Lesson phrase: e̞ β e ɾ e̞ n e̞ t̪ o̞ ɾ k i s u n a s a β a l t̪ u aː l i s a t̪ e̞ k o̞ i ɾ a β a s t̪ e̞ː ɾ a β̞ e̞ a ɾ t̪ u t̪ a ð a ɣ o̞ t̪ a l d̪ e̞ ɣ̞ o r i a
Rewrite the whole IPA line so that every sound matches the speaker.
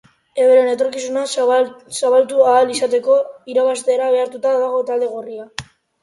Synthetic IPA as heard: e̞ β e ɾ e̞ n e̞ t̪ o̞ ɾ k i s u n a s a β a l t̪ u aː l i s a t̪ e̞ k o̞ i ɾ a β a s t̪ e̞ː ɾ a β̞ e̞ a ɾ t̪ u t̪ a ð a ɣ o̞ t̪ a l d̪ e̞ ɣ̞ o r i a